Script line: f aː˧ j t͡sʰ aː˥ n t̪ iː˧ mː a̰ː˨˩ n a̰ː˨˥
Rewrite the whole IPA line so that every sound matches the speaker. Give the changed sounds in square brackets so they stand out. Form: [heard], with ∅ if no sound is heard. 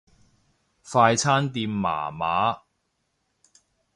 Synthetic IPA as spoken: f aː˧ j t͡sʰ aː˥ n t̪ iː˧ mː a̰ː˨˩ [m] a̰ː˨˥